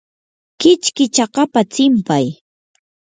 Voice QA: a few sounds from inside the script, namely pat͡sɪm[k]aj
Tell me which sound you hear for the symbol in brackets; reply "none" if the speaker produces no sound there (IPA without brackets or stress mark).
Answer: p